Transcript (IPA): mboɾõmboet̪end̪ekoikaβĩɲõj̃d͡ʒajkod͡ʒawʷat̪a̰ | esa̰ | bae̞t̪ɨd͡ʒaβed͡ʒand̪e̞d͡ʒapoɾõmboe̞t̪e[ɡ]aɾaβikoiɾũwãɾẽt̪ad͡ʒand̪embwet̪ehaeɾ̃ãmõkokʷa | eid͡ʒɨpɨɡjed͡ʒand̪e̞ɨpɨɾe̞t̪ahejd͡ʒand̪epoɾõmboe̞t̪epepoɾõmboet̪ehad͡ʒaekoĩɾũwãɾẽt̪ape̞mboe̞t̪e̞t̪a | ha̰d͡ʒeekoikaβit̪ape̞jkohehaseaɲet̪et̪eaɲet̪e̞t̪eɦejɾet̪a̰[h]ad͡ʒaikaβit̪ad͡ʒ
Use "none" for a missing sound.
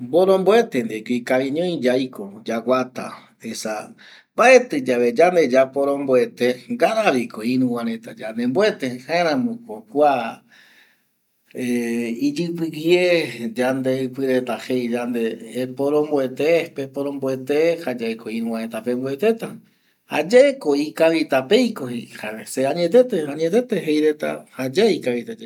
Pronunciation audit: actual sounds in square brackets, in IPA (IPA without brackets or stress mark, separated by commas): ɡ, h